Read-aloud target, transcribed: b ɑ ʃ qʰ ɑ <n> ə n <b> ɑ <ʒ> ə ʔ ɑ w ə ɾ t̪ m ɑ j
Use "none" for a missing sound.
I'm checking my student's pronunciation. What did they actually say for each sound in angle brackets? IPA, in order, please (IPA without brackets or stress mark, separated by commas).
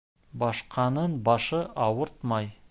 n, b, ʃ